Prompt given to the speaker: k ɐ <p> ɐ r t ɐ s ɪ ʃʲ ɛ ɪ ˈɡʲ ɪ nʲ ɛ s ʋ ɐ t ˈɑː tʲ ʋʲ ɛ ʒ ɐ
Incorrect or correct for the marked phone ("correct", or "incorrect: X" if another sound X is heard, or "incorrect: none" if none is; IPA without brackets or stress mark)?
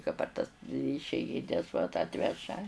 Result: correct